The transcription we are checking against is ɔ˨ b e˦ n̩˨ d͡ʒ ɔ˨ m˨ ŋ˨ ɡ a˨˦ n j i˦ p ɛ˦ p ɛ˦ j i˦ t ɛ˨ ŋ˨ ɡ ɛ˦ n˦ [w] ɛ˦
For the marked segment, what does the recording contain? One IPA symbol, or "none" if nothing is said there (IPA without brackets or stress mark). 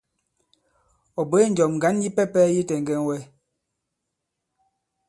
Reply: w